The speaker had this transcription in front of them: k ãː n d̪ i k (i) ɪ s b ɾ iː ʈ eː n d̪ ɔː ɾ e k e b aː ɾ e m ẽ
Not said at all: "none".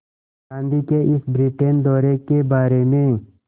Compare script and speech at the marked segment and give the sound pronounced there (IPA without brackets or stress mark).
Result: e